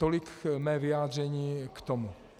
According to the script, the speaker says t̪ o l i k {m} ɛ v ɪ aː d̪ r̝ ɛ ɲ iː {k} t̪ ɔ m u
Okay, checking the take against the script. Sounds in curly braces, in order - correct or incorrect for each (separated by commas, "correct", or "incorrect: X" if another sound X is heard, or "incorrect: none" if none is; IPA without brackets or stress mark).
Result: correct, correct